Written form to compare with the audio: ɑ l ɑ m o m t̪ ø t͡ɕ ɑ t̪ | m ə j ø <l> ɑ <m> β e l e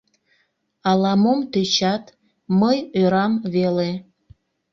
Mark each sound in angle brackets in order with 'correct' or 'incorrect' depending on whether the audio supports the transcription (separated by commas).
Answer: incorrect, correct